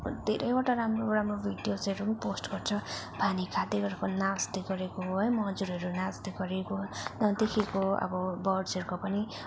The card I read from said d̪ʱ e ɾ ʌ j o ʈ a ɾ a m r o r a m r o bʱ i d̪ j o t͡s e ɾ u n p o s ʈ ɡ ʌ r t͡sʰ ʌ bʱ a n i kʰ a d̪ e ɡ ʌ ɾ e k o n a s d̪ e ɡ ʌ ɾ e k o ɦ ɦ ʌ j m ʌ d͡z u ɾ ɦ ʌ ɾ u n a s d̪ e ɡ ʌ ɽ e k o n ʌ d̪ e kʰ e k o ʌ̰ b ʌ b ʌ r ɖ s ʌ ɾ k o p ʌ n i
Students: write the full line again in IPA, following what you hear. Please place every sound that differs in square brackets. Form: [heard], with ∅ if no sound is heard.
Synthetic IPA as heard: d̪ʱ e ɾ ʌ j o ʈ a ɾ a m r o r a m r o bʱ i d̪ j o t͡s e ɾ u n p o s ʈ ɡ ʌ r t͡sʰ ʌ bʱ a n i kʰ a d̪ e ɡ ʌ ɾ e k o n a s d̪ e ɡ ʌ ɾ e k o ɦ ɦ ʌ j m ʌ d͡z u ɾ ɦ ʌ ɾ u n a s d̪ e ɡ ʌ [ɾ] e k o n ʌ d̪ e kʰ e k o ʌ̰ b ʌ b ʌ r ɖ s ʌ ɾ k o p ʌ n i

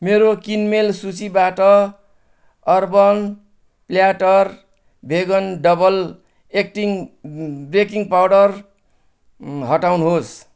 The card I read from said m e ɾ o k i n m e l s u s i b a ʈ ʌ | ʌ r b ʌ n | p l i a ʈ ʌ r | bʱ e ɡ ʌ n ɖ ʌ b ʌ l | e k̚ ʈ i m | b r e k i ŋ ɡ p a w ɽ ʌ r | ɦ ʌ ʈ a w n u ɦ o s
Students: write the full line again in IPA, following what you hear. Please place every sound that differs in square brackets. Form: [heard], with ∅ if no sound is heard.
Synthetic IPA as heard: m e ɾ o k i n m e l s u [t͡s] i b a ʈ ʌ | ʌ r b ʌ n | p l [j] a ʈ ʌ r | bʱ e ɡ ʌ n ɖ ʌ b ʌ l | e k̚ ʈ i [ŋ] | b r e k i ŋ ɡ p a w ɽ ʌ r | ɦ ʌ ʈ a w n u ɦ o s

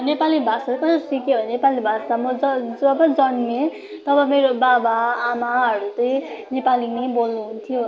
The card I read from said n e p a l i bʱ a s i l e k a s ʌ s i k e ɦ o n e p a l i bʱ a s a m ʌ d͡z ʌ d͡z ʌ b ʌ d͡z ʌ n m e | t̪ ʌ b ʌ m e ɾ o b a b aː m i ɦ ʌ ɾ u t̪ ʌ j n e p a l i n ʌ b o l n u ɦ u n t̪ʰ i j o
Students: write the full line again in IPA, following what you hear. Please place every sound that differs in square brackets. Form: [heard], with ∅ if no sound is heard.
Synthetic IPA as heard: n e p a l i bʱ a s [a] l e k [ʌ] s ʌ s i k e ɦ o n e p a l i bʱ a s a m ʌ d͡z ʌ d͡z ʌ b ʌ d͡z ʌ n m e | t̪ ʌ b ʌ m e ɾ o b a b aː m [a] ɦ ʌ ɾ u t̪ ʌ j n e p a l i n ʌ b o l n u ɦ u n t̪ʰ i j o

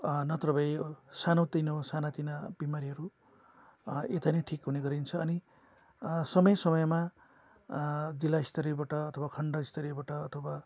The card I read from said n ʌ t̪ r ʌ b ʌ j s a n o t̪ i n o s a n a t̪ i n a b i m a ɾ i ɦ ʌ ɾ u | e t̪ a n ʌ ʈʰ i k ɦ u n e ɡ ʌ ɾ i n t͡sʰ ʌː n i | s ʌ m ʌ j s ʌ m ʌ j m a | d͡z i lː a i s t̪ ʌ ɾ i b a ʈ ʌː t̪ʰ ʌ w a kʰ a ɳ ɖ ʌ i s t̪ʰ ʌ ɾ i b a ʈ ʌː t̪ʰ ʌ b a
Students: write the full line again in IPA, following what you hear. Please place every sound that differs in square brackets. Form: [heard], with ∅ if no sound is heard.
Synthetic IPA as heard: n ʌ t̪ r ʌ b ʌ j s a n o t̪ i n o s a n a t̪ i n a b i m a ɾ i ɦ ʌ ɾ u | e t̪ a n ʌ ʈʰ i k ɦ u n e ɡ ʌ ɾ i n t͡sʰ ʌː n i | s ʌ m ʌ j s ʌ m ʌ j m a | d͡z i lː a i s t̪ ʌ ɾ i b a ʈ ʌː t̪ʰ ʌ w a kʰ [ʌ] ɳ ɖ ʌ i s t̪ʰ ʌ ɾ i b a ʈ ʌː t̪ʰ ʌ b a

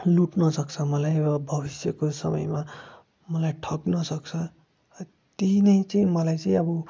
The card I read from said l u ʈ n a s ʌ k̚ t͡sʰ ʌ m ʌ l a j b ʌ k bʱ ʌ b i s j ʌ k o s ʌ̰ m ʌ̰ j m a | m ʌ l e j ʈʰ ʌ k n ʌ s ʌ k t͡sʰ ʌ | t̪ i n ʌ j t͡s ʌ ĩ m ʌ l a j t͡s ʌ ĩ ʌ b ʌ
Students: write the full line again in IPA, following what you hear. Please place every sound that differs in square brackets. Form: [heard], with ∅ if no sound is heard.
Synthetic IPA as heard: l u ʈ n [ʌ] s ʌ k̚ t͡sʰ ʌ m ʌ l a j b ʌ [∅] bʱ ʌ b i s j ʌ k o s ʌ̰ m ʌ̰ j m a | m ʌ l [a] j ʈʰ ʌ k n ʌ s ʌ k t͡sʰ ʌ | t̪ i n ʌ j t͡s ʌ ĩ m ʌ l a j t͡s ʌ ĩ ʌ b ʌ

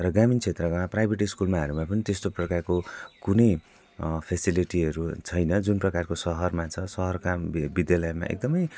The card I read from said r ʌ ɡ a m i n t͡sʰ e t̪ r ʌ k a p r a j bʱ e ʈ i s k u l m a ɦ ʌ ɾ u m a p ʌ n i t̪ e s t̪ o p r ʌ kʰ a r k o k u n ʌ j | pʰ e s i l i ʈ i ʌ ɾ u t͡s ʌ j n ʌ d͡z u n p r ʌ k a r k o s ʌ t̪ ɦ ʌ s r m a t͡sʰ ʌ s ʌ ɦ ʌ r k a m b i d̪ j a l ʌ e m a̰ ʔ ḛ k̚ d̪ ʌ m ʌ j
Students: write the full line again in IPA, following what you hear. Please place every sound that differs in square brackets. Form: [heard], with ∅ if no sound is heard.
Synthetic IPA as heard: r ʌ ɡ a m i n t͡sʰ e t̪ r ʌ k a p r a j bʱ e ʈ i s k u l m a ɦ ʌ ɾ u m a p ʌ n i t̪ e s t̪ o p r ʌ [k] a r k o k u n ʌ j | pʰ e s i l i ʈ i ʌ ɾ u [t͡sʰ] ʌ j n ʌ d͡z u n p r ʌ k a r k o s ʌ [∅] ɦ ʌ [∅] r m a t͡sʰ ʌ s ʌ ɦ ʌ r k a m b i d̪ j a l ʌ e m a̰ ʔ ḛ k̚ d̪ ʌ m ʌ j

